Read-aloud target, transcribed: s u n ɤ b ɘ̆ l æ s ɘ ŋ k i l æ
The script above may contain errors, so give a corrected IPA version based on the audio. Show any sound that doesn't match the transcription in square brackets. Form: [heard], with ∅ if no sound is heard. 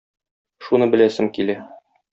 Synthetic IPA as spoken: [ʃ] u n ɤ b ɘ̆ l æ s ɘ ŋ k i l æ